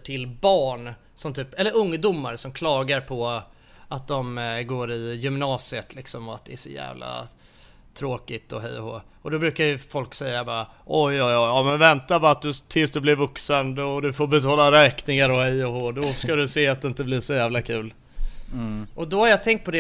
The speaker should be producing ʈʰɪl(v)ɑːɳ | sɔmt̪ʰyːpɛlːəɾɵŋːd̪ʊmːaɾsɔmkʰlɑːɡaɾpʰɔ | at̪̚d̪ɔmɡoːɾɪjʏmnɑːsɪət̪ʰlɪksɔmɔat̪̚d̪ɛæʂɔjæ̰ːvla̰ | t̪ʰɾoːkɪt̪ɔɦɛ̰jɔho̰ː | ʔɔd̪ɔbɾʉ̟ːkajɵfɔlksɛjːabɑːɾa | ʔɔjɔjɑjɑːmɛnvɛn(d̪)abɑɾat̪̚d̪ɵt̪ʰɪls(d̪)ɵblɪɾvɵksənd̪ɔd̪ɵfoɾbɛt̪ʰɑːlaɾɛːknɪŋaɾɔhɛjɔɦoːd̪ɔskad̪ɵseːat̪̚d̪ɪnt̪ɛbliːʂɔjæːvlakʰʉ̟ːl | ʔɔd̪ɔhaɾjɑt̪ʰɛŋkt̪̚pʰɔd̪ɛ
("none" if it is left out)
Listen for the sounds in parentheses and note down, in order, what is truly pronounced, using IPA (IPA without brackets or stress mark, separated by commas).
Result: b, t̪, d̪